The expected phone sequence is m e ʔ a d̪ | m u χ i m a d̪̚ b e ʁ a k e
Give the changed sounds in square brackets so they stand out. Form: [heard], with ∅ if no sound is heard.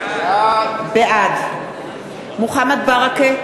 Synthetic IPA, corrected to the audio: [b] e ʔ a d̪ | m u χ [a] m a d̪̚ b [a] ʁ a k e